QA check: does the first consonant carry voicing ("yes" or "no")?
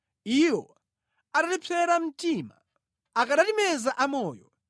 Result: yes